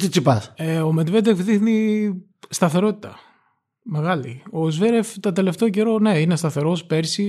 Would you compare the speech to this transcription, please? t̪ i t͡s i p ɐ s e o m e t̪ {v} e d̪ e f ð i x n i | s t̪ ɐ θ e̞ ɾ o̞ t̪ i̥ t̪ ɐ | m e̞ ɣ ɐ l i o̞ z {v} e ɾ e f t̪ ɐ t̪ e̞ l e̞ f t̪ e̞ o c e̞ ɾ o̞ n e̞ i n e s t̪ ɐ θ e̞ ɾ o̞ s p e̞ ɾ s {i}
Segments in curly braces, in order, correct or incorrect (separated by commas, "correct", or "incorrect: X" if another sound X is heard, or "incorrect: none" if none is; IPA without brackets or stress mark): correct, correct, correct